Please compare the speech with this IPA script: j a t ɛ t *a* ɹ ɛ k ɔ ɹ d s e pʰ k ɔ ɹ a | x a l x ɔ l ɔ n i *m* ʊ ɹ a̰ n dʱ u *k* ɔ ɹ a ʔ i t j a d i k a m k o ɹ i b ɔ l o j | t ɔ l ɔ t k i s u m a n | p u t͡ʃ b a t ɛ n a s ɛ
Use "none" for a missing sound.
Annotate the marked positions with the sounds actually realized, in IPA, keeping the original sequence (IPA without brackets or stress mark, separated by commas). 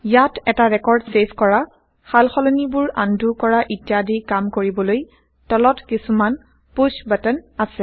a, b, k